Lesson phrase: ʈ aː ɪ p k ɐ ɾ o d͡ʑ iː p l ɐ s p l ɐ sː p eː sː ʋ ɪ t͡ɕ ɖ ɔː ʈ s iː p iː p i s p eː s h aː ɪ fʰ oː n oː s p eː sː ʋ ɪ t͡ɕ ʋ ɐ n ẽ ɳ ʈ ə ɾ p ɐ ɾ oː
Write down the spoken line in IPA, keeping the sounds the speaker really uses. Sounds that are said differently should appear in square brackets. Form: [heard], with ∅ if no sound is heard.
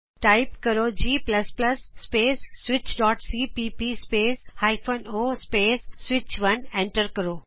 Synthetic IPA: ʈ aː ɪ p k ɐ ɾ o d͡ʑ iː p l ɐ s p l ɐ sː p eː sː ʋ ɪ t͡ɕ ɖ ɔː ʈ s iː p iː p i s p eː s h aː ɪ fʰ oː n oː s p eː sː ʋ ɪ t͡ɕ ʋ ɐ n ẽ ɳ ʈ ə ɾ [k] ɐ ɾ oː